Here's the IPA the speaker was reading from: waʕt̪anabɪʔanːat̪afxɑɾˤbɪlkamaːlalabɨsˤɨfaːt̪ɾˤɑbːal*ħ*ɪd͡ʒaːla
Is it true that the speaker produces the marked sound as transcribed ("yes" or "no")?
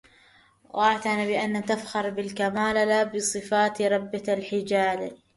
yes